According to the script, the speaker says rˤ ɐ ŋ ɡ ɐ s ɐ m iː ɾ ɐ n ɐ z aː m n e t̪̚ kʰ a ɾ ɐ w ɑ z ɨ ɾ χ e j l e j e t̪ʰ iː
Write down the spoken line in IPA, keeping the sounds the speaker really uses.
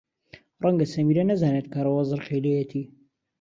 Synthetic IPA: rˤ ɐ ŋ ɡ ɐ s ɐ m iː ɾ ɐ n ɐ z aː n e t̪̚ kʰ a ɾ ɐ w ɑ z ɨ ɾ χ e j l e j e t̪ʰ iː